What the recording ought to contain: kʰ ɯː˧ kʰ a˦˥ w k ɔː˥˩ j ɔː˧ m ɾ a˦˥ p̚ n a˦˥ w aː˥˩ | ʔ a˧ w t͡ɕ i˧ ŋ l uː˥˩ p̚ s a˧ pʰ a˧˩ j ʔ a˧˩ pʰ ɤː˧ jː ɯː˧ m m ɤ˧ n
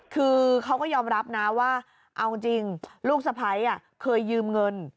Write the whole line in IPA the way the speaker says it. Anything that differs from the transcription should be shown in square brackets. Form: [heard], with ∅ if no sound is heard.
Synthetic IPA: kʰ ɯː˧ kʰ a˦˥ w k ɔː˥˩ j ɔː˧ m ɾ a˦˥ p̚ n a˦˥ w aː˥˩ | ʔ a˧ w t͡ɕ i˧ ŋ l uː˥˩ [k̚] s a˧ pʰ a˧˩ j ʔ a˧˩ [kʰ] ɤː˧ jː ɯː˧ m [ŋ] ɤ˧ n